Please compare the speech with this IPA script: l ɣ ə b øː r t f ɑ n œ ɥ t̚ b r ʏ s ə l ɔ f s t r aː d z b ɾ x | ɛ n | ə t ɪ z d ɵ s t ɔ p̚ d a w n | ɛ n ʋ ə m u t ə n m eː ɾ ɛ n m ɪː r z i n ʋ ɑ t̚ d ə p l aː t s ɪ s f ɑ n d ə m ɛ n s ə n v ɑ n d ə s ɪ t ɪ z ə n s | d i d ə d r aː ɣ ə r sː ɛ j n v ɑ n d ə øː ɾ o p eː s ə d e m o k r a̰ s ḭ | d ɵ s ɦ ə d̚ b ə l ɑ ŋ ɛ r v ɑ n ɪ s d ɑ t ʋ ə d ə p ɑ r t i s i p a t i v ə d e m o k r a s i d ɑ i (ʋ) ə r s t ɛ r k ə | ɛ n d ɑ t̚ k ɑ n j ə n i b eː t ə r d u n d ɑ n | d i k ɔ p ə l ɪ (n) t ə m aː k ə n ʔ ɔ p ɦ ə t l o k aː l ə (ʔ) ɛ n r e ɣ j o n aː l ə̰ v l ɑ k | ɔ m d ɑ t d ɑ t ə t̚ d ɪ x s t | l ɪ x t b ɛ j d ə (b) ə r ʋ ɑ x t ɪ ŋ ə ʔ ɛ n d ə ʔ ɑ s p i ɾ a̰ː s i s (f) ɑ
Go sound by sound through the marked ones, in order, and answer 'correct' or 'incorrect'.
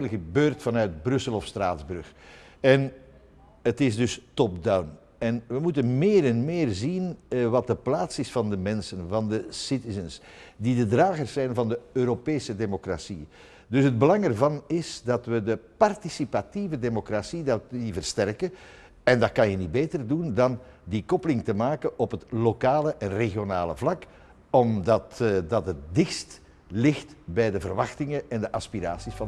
incorrect, incorrect, correct, incorrect, correct

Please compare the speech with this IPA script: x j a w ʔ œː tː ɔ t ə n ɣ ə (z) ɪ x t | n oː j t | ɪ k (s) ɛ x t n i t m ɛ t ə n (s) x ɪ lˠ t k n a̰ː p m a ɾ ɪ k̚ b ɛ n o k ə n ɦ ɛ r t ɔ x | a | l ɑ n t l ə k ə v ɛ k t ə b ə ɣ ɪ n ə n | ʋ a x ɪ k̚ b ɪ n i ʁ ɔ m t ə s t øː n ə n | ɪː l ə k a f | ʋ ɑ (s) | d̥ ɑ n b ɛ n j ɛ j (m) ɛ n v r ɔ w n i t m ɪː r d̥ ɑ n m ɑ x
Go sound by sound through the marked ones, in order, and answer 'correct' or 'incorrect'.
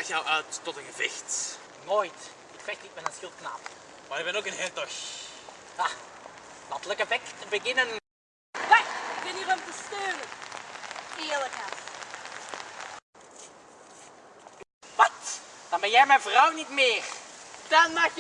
incorrect, incorrect, correct, incorrect, correct

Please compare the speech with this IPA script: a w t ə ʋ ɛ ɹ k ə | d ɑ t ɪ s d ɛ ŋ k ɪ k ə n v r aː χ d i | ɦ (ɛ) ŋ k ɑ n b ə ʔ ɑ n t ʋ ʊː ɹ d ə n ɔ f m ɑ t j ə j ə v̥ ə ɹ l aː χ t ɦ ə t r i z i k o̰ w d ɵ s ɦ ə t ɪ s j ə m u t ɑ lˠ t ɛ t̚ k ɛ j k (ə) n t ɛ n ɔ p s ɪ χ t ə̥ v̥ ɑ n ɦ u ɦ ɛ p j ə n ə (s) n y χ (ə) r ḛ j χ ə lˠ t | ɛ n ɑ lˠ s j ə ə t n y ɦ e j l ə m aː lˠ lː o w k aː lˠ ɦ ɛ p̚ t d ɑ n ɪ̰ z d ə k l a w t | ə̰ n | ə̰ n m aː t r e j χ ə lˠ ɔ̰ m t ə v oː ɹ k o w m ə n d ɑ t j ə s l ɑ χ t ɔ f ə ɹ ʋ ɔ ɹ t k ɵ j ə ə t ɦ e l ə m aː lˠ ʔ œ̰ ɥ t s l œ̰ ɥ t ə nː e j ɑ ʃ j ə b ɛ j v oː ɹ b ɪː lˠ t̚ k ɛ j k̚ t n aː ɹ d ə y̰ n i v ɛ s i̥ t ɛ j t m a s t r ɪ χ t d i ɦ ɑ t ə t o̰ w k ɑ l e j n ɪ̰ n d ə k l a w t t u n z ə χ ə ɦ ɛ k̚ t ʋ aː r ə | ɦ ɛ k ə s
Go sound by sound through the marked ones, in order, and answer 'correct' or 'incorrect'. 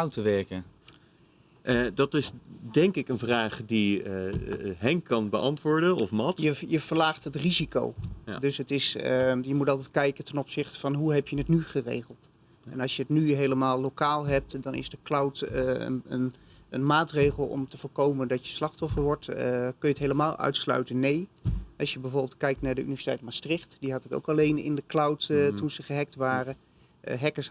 correct, correct, incorrect, correct

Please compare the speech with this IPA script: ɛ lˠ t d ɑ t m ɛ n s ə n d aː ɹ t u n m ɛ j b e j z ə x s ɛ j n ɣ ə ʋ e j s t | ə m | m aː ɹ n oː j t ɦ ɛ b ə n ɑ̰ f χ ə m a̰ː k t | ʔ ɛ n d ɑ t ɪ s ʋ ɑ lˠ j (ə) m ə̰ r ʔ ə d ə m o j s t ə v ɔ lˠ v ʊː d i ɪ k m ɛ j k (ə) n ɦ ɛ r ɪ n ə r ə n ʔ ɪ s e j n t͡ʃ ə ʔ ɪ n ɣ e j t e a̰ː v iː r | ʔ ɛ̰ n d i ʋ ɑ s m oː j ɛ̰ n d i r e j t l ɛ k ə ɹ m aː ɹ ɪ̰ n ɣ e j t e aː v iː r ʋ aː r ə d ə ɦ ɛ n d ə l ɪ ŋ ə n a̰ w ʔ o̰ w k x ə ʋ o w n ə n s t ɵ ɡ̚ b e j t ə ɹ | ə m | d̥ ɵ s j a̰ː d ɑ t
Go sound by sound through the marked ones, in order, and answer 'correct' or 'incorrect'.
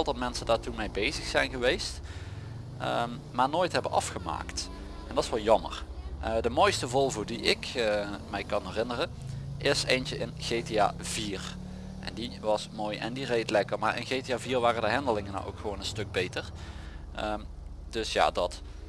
incorrect, incorrect

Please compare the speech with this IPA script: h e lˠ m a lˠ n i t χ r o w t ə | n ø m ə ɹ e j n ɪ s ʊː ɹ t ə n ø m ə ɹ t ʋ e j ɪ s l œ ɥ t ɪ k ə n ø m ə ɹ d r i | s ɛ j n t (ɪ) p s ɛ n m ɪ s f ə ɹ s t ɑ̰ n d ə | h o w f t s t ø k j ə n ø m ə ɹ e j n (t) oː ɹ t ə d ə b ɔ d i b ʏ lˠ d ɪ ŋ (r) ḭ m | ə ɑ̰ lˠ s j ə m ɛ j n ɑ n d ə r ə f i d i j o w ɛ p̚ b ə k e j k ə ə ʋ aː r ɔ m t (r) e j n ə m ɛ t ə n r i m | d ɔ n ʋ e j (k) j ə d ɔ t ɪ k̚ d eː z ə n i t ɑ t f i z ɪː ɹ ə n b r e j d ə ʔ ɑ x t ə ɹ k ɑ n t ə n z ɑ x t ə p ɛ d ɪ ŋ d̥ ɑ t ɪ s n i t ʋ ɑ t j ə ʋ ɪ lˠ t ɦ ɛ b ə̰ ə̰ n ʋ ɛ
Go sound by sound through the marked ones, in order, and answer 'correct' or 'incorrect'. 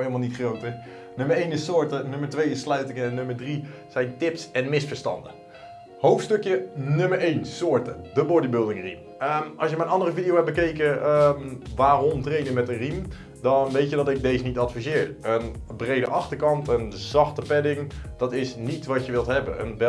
correct, incorrect, correct, correct, incorrect

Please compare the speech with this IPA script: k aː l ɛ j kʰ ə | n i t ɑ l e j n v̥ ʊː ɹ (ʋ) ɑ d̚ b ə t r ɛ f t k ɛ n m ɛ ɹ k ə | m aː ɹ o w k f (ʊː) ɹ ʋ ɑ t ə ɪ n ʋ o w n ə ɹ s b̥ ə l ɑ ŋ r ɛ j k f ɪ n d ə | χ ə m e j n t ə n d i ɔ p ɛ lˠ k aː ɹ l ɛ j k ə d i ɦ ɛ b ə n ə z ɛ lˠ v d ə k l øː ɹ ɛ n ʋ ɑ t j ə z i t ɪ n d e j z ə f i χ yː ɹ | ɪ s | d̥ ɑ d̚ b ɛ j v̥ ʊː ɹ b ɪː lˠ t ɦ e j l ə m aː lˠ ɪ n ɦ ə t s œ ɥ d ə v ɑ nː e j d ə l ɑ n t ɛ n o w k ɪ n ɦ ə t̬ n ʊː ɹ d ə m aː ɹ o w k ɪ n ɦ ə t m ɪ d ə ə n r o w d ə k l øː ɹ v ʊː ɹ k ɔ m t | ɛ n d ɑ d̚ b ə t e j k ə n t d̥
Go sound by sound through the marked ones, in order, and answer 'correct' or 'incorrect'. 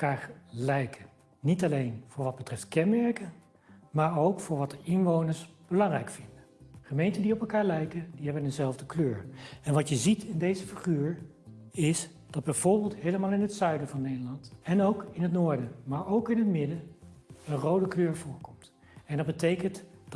correct, correct

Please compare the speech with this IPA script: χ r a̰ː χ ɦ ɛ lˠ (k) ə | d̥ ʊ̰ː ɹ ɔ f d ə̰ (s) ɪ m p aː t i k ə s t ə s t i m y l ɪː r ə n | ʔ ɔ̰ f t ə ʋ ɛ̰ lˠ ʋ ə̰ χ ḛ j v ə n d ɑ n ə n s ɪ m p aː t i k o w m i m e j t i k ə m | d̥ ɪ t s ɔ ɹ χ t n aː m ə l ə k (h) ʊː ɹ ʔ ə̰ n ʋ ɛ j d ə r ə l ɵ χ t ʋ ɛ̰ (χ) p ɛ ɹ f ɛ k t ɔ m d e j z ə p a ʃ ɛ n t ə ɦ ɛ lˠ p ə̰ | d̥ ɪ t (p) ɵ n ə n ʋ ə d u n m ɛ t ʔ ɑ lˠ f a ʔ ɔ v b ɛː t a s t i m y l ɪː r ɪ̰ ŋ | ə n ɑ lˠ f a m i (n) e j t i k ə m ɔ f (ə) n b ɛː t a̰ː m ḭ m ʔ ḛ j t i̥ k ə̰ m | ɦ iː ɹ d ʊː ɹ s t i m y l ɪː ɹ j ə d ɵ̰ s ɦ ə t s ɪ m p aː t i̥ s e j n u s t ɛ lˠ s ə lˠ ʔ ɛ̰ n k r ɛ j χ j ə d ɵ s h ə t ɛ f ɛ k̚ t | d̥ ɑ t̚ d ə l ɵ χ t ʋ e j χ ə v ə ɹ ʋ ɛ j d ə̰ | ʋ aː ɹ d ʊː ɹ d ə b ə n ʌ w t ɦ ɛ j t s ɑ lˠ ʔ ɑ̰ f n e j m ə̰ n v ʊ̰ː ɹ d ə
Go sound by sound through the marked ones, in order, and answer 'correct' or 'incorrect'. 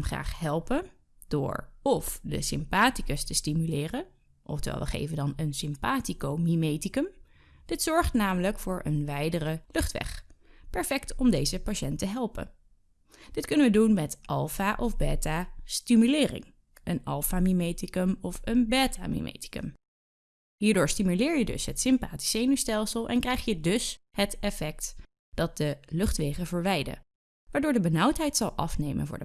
incorrect, correct, incorrect, correct, incorrect, incorrect, correct

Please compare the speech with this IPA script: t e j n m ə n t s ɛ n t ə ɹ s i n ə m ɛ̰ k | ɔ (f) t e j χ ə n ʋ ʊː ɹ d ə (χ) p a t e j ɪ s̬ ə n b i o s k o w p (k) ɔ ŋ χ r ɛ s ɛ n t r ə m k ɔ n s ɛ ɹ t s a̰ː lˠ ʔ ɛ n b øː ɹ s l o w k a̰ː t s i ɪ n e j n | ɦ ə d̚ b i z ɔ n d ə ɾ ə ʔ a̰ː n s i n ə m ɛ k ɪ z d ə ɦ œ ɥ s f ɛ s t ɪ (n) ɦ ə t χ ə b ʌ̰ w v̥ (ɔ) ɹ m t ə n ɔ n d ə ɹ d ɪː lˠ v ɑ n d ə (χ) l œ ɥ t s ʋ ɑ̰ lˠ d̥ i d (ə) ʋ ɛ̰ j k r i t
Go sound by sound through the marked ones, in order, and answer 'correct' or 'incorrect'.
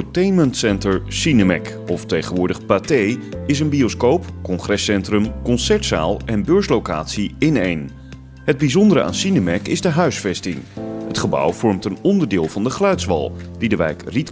correct, correct, correct, incorrect, correct, correct, correct

